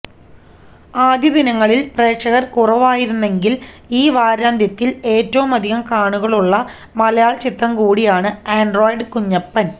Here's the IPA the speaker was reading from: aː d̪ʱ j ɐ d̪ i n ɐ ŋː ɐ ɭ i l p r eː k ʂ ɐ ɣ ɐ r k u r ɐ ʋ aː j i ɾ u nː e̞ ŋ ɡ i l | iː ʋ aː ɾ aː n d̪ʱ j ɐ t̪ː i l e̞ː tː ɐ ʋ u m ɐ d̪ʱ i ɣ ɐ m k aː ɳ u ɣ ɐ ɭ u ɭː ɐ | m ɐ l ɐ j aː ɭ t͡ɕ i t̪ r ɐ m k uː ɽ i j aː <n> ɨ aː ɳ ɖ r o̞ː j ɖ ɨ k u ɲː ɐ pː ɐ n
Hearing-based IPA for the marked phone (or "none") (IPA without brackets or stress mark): ɳ